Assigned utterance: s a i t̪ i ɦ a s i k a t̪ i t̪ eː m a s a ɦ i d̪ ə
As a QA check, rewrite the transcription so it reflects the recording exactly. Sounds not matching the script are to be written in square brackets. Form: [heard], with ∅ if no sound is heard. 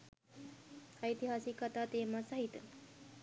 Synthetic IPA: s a i t̪ i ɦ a s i k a t̪ [a] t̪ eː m a s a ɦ i [t̪] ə